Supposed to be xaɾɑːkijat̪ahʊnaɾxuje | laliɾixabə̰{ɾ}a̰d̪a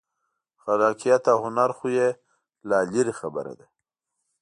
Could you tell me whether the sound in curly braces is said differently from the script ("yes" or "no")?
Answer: no